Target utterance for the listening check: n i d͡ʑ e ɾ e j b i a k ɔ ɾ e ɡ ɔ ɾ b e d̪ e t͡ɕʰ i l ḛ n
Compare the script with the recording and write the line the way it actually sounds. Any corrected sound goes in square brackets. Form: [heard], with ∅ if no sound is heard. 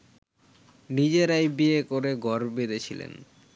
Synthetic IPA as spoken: n i d͡ʑ e ɾ [a] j b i [e] k [o] ɾ e ɡ ɔ ɾ b e d̪ e t͡ɕʰ i l ḛ n